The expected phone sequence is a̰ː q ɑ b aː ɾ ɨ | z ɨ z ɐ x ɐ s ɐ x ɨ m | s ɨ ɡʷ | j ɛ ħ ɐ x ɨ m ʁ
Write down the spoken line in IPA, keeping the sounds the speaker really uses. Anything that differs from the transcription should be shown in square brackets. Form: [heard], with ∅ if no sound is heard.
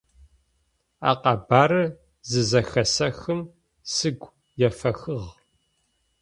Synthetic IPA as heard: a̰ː q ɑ b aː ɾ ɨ | z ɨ z ɐ x ɐ s ɐ x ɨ m | s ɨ ɡʷ | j ɛ [f] ɐ x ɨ [∅] ʁ